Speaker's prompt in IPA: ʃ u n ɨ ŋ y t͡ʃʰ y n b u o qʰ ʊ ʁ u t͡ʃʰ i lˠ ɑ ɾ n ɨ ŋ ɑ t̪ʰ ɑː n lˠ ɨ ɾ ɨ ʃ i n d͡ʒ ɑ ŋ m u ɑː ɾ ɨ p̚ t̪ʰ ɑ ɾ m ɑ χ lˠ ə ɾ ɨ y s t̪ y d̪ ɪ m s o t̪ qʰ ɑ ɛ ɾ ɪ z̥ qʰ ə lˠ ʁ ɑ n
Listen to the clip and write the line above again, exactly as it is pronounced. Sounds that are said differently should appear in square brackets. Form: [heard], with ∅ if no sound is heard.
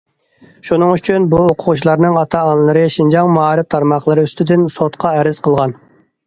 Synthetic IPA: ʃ u n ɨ ŋ y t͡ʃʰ y n b u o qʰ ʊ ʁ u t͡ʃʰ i lˠ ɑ ɾ n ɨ ŋ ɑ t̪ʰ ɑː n lˠ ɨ ɾ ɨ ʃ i n d͡ʒ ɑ ŋ m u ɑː ɾ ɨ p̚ t̪ʰ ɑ ɾ m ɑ χ lˠ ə ɾ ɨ y s t̪ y d̪ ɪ [n] s o t̪ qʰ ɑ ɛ ɾ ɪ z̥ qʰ ə lˠ ʁ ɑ n